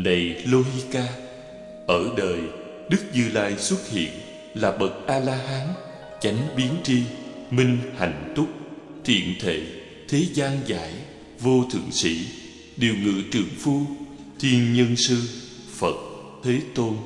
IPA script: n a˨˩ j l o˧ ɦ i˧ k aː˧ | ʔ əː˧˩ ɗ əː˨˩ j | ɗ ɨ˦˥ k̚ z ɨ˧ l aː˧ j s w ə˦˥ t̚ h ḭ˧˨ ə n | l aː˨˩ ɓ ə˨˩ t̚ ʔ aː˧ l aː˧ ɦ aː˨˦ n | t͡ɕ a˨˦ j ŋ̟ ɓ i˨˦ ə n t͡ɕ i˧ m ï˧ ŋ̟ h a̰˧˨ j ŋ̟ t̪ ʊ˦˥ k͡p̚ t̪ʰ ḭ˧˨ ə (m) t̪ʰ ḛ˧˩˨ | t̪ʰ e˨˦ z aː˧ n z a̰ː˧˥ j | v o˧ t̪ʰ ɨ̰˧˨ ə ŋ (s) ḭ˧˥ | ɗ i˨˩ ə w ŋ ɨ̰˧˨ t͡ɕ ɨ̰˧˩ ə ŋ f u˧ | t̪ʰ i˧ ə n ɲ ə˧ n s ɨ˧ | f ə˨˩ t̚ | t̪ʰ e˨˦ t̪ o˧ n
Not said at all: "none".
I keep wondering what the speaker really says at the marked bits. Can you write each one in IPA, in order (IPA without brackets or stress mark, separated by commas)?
n, s